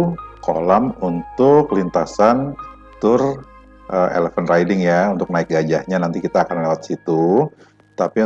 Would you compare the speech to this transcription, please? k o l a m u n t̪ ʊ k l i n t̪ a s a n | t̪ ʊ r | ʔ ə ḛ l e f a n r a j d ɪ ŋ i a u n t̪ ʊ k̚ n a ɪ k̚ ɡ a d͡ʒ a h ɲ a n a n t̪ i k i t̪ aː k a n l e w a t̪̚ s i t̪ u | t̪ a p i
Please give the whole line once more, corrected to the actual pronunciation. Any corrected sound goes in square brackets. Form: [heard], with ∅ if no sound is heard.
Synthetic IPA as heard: k o l a m u n t̪ ʊ k l i n t̪ a s a n | t̪ ʊ r | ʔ ə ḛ l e f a n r a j d ɪ ŋ [j] a u n t̪ ʊ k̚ n a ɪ k̚ ɡ a d͡ʒ a h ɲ a n a n t̪ i k i t̪ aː k a n l e w a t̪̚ s i t̪ u | t̪ a p i